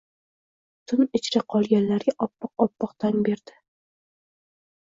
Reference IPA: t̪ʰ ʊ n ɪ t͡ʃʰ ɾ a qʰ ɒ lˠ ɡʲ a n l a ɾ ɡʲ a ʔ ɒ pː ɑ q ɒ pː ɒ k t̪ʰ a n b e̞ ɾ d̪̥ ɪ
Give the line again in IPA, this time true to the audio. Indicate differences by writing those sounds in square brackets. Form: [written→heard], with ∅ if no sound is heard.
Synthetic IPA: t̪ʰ ʊ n ɪ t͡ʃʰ ɾ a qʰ ɒ lˠ ɡʲ a n l a ɾ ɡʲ a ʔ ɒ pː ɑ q ɒ pː ɒ [k→q] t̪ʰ a n b e̞ ɾ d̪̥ ɪ

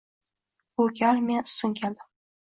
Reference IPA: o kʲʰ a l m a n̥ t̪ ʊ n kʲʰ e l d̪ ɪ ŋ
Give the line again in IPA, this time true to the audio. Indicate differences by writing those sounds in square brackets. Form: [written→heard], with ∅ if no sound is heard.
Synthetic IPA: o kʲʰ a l m [a→e] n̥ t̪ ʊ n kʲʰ e l d̪ ɪ [ŋ→m]

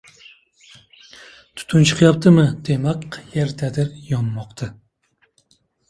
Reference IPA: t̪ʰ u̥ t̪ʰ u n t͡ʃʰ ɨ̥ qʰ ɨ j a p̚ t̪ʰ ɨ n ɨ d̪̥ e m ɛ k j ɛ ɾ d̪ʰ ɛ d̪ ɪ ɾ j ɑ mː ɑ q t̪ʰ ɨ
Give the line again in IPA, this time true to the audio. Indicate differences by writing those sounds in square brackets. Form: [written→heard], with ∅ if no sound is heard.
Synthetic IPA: t̪ʰ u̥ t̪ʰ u n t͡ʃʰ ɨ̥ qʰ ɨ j [a→ɑ] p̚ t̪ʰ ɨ [n→m] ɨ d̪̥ e m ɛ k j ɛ ɾ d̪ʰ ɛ d̪ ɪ ɾ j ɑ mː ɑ q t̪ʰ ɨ

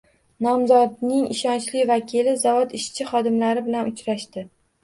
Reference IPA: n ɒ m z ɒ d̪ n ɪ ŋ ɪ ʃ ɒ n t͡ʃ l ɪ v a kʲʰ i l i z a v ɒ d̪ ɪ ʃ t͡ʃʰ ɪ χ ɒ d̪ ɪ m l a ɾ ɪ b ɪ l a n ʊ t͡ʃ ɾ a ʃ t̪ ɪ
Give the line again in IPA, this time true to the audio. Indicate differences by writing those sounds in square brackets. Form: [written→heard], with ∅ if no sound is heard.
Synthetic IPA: n ɒ m z ɒ d̪ n ɪ ŋ ɪ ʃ ɒ n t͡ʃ l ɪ v a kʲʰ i l [i→ɪ] z a v ɒ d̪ ɪ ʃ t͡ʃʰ ɪ χ ɒ d̪ ɪ m l a ɾ ɪ b ɪ l a n ʊ t͡ʃ ɾ a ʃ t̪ ɪ

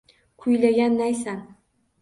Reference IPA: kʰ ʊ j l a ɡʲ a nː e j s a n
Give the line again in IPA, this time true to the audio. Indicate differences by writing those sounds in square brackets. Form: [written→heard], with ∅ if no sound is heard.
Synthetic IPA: kʰ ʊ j l a ɡʲ a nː [e→a] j s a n

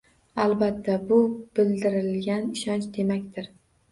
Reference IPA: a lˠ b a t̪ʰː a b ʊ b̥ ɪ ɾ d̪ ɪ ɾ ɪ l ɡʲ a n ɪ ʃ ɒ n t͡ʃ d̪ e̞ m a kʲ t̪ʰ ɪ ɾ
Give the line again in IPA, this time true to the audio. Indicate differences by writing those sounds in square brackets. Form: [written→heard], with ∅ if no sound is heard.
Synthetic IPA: a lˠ b a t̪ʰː a b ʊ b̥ ɪ [ɾ→l] d̪ ɪ ɾ ɪ l ɡʲ a n ɪ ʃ ɒ n t͡ʃ d̪ e̞ m a kʲ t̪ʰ ɪ ɾ

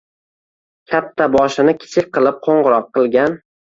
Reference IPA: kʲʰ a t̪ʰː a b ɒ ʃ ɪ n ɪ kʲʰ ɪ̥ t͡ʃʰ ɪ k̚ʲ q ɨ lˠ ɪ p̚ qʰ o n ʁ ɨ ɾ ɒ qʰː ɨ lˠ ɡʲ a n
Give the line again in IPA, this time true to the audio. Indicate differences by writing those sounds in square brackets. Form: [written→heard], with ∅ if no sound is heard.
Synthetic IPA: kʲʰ a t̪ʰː a b ɒ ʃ ɪ n ɪ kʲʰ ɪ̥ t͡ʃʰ ɪ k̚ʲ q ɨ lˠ ɪ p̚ qʰ o [n→ɴ] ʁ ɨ ɾ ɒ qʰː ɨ lˠ ɡʲ a n

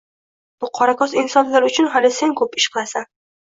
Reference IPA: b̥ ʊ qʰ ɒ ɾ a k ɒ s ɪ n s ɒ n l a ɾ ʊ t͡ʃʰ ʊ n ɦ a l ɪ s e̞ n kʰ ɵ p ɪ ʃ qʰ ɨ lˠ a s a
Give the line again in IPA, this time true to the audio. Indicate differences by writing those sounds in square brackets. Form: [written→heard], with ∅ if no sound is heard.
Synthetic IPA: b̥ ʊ qʰ ɒ ɾ a k ɒ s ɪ n s ɒ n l a ɾ ʊ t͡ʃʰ ʊ n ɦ a l ɪ s e̞ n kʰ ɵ p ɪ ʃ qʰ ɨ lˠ a s a

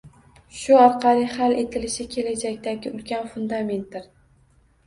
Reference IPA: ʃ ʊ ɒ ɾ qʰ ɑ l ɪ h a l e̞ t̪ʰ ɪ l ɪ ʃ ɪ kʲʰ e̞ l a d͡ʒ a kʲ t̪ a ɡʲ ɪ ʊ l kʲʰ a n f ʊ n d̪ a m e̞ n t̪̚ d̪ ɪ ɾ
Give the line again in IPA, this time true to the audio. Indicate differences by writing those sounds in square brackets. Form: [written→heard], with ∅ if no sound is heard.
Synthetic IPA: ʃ ʊ ɒ ɾ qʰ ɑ l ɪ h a l e̞ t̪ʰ ɪ l ɪ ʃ ɪ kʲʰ e̞ l a d͡ʒ a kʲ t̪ a ɡʲ ɪ ʊ l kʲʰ a n f ʊ n d̪ a m e̞ n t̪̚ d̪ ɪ ɾ

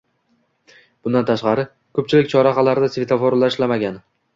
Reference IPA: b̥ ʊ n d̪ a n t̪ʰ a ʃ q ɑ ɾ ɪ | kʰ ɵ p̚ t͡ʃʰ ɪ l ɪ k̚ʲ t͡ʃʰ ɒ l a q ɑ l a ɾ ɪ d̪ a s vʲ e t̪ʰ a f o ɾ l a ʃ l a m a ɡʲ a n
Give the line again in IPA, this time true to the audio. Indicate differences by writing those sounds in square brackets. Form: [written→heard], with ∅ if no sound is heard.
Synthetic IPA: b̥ ʊ n d̪ a n t̪ʰ a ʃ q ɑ ɾ ɪ | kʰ ɵ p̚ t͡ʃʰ ɪ l ɪ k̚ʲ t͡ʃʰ ɒ [l→ɾ] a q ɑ l a ɾ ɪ d̪ a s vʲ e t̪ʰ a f o ɾ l a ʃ l a m a ɡʲ a n

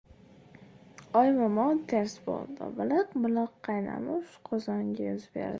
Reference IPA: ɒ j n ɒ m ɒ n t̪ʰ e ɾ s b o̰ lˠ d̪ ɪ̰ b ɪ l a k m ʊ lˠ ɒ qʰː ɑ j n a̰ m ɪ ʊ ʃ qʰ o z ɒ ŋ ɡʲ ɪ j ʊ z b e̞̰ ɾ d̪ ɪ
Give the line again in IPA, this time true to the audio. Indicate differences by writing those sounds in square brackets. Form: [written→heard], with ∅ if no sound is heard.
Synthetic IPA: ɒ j [n→m] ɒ m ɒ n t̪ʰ e ɾ s b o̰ lˠ d̪ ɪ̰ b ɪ l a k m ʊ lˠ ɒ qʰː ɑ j n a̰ m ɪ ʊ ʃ qʰ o z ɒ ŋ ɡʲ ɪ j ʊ z b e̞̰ ɾ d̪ ɪ

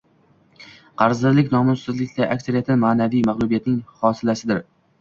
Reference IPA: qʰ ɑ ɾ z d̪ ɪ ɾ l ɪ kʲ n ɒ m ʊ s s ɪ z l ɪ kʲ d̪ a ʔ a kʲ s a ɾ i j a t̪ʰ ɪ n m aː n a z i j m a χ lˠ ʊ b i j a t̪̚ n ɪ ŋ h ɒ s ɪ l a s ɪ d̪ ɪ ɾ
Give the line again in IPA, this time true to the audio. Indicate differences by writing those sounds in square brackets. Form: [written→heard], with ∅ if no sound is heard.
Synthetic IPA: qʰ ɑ ɾ z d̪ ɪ ɾ l ɪ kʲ n ɒ m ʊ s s ɪ z l ɪ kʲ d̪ a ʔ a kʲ s a ɾ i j a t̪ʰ ɪ n m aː n a [z→v] i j m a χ lˠ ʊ b i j a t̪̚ n ɪ ŋ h ɒ s ɪ l a s ɪ d̪ ɪ ɾ

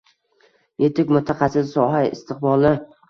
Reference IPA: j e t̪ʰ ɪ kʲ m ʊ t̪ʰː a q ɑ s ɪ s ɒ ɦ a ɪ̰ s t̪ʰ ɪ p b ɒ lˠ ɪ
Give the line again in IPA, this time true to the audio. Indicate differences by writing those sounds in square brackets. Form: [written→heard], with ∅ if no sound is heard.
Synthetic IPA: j e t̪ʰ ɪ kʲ m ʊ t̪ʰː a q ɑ s ɪ s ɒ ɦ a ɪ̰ s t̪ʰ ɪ [p→q] b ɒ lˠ ɪ

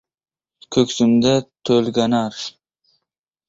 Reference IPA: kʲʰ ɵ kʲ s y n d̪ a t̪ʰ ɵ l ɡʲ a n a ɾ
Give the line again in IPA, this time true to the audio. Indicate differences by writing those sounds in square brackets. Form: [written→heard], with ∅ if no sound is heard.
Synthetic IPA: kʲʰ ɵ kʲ s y [n→m] d̪ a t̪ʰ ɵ l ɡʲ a n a ɾ

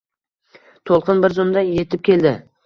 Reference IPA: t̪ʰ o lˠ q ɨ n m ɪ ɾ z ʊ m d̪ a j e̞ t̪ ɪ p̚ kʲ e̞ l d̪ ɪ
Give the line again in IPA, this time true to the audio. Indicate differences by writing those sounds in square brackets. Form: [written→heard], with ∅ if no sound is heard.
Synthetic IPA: t̪ʰ o lˠ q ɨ n [m→b] ɪ ɾ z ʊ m d̪ a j e̞ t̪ ɪ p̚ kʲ e̞ l d̪ ɪ

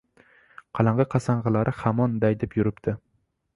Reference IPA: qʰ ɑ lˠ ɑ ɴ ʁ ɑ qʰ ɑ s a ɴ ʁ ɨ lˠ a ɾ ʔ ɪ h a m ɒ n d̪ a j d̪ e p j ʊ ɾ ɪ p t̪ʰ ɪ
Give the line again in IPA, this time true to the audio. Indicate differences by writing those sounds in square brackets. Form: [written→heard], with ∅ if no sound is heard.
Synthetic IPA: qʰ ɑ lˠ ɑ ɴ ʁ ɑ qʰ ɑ s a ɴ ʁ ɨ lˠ a ɾ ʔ ɪ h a m ɒ n d̪ a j d̪ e p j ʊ ɾ ɪ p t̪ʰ ɪ

